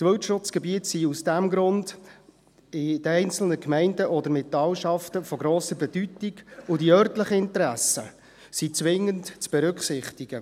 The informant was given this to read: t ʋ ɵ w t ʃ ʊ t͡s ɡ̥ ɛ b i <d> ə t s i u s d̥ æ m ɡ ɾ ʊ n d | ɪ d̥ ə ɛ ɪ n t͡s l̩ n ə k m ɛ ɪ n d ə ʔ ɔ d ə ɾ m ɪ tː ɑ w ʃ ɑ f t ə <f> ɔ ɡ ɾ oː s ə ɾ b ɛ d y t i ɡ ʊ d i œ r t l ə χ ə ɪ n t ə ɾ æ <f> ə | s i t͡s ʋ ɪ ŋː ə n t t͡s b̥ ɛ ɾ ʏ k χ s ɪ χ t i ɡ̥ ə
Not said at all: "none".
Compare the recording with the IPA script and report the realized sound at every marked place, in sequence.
none, f, s

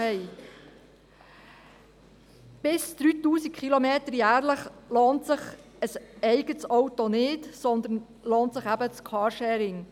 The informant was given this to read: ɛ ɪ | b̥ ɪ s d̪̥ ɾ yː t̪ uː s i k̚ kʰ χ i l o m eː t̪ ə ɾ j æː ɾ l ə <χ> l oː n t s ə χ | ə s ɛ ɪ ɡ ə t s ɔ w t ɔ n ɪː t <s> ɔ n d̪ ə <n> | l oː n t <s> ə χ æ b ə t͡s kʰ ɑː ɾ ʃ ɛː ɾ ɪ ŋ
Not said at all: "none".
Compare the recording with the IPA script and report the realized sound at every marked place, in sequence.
χ, s, n, s

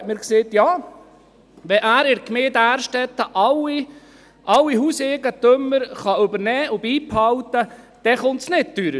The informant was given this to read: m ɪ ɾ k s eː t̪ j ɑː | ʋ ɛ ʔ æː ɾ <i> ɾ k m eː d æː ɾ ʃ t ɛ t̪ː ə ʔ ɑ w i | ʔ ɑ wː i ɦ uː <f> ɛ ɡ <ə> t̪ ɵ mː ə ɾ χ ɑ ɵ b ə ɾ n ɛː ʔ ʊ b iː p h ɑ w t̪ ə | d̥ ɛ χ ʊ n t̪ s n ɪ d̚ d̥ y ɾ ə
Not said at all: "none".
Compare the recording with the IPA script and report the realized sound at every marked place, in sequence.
ɪ, s, ə

